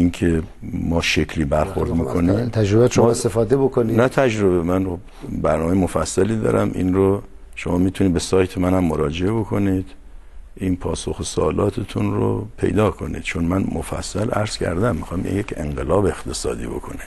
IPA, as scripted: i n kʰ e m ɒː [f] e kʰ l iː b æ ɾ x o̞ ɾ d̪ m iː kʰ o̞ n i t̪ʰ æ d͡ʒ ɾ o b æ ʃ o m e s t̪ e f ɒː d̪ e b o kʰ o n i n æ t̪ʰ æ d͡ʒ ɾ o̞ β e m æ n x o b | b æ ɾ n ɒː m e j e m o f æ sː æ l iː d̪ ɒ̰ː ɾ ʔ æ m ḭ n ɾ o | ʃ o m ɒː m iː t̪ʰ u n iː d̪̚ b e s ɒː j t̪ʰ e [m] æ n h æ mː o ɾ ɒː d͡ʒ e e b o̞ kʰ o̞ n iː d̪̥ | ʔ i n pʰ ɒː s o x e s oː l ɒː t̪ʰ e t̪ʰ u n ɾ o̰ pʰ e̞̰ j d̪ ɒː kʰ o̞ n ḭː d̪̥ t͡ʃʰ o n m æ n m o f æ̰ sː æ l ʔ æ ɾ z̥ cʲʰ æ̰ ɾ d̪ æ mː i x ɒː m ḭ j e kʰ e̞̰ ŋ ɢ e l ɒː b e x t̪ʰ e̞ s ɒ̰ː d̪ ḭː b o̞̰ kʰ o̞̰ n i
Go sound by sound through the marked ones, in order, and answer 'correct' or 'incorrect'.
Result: incorrect, correct

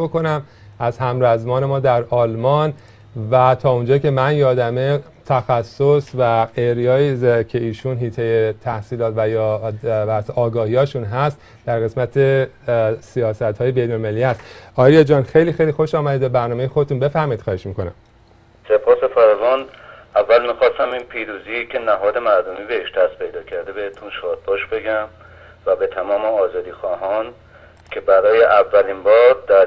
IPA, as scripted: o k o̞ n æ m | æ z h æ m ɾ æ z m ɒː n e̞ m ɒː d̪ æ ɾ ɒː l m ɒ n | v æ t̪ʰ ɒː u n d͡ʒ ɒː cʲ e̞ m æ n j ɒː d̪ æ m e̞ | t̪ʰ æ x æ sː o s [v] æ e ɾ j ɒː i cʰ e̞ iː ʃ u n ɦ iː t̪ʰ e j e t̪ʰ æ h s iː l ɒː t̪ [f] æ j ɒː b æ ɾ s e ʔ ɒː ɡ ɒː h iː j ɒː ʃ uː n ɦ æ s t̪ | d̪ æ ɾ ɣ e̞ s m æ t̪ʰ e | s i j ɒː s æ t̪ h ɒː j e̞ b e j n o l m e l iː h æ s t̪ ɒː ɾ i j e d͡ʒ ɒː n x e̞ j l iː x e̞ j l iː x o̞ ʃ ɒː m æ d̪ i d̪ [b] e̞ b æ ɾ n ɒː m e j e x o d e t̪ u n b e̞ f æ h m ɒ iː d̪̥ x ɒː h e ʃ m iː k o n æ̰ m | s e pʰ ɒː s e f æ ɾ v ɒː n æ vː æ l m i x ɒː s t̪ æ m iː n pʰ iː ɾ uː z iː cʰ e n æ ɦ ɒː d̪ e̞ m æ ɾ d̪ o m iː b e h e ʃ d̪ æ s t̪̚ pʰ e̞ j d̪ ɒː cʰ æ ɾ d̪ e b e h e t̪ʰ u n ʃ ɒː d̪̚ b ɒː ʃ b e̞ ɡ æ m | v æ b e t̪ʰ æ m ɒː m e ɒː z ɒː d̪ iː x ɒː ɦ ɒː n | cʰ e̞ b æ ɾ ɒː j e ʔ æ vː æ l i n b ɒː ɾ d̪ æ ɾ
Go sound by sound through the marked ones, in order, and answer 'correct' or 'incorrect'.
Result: correct, incorrect, correct

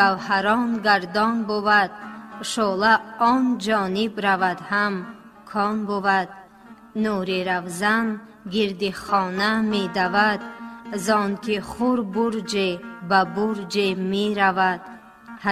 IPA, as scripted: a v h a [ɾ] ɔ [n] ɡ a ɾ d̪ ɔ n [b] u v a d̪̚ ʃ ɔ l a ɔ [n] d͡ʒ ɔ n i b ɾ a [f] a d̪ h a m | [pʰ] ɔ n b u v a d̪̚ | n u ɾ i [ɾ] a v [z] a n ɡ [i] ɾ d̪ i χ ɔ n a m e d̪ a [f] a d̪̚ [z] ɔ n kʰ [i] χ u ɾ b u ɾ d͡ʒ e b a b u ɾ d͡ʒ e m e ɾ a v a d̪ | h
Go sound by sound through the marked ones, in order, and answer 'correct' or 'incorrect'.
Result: correct, correct, correct, correct, incorrect, incorrect, correct, correct, correct, incorrect, correct, correct

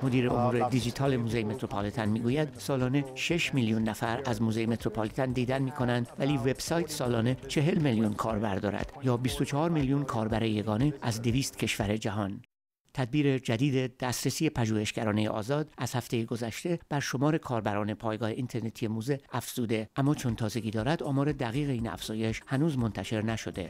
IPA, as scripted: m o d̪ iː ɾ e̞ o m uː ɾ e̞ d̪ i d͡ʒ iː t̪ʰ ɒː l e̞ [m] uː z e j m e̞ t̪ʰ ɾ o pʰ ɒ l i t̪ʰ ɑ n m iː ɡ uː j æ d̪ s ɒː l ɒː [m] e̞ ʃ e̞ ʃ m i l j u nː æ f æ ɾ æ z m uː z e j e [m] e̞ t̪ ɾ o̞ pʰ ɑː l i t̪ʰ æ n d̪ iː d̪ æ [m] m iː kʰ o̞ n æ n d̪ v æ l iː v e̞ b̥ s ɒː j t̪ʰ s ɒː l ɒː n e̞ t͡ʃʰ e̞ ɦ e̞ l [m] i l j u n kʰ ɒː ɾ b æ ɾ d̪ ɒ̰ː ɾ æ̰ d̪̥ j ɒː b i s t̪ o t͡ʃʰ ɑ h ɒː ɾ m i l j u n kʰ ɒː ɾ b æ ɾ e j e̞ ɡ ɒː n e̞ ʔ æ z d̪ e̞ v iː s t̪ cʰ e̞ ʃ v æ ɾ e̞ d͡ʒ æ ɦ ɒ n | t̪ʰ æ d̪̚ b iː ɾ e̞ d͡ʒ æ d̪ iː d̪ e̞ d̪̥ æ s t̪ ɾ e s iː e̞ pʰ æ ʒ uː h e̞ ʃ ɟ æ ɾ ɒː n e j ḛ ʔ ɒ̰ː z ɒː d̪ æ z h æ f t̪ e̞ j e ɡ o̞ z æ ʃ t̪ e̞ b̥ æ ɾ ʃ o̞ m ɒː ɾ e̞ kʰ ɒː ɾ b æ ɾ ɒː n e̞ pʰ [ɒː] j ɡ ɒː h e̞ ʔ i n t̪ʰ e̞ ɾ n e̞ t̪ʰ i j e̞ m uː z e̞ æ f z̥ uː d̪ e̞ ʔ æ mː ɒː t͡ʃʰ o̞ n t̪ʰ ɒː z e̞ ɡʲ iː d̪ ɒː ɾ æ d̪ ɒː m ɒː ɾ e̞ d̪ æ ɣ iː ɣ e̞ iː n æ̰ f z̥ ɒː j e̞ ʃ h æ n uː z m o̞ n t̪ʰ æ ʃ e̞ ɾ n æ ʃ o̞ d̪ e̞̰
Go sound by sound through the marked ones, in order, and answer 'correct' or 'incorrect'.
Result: correct, incorrect, correct, incorrect, correct, correct

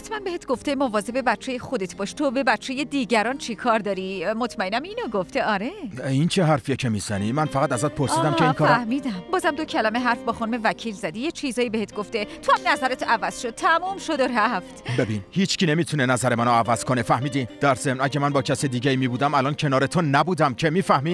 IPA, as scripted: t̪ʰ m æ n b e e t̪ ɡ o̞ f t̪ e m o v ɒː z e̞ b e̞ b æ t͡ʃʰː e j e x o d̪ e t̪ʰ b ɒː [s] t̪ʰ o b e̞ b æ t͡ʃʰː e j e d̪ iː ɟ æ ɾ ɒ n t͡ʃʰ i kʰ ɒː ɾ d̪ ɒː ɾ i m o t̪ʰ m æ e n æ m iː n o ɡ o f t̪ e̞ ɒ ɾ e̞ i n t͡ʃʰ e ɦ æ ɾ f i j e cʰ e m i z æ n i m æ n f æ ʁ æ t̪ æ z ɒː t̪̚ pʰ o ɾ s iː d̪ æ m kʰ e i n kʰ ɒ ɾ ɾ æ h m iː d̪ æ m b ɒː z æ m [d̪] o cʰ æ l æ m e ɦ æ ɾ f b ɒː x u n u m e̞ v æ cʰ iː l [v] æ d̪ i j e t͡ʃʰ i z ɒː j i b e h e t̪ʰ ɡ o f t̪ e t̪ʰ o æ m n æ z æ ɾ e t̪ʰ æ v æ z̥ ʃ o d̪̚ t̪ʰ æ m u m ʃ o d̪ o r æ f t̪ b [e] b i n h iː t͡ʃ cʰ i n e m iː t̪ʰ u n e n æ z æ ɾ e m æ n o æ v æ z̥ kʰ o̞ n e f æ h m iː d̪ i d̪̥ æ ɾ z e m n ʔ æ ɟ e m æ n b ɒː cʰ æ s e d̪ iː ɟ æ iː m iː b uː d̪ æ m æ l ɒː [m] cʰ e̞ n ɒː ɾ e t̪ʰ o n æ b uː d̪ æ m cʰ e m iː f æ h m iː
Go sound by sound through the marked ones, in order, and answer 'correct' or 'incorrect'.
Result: incorrect, correct, incorrect, correct, incorrect

